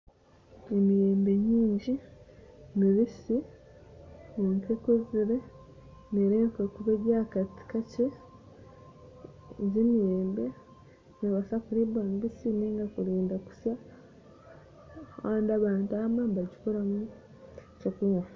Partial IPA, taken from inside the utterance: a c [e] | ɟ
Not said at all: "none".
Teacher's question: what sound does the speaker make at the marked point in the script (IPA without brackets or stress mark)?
e